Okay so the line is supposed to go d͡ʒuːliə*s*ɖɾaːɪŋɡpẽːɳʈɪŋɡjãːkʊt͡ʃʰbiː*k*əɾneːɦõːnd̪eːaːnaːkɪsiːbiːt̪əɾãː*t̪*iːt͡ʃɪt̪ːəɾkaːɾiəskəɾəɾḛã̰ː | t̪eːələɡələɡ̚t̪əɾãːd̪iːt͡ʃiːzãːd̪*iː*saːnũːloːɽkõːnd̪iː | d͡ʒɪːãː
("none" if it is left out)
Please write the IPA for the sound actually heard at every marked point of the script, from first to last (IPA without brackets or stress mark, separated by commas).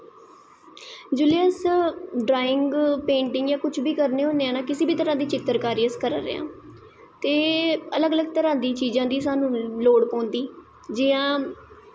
s, k, d̪, iː